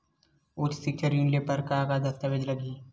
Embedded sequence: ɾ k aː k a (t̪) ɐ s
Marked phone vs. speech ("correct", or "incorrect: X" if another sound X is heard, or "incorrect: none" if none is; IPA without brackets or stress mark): incorrect: d̪